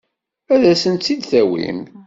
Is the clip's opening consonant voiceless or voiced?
voiced